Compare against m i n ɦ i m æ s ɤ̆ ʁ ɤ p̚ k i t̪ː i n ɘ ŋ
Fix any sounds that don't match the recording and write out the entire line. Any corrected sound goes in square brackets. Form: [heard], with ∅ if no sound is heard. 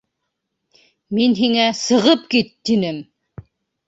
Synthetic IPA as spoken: m i n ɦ i [ŋ] æ s ɤ̆ ʁ ɤ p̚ k i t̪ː i n ɘ [m]